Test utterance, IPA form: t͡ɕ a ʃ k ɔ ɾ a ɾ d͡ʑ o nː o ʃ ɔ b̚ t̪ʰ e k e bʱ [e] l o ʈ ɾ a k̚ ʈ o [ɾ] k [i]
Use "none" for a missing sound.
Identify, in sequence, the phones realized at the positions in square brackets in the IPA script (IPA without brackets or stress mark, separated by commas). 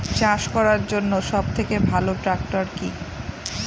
a, ɾ, i